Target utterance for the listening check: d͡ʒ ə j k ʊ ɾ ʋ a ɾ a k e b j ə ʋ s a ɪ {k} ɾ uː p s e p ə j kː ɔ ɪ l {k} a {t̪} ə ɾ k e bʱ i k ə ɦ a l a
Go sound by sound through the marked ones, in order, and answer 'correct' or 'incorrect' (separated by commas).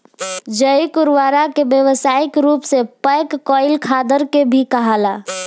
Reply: correct, incorrect, incorrect